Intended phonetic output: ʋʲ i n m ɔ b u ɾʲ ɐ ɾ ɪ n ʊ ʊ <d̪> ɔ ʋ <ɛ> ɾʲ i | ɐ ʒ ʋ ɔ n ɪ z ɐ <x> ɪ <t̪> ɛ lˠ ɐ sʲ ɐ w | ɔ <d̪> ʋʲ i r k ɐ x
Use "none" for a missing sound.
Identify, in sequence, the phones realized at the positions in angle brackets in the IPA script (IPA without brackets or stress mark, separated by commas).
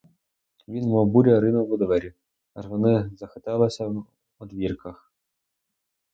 d̪, ɛ, x, t̪, d̪